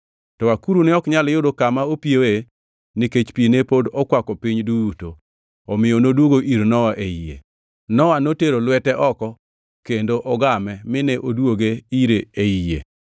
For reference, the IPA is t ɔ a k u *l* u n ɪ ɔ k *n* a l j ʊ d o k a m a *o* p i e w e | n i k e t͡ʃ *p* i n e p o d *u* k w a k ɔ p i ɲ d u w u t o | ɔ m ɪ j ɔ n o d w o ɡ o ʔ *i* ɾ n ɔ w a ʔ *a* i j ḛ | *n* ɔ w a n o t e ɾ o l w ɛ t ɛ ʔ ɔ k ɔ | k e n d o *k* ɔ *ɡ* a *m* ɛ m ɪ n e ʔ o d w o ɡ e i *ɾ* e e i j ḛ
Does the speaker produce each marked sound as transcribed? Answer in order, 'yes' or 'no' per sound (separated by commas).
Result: no, no, yes, yes, no, yes, no, yes, no, yes, yes, yes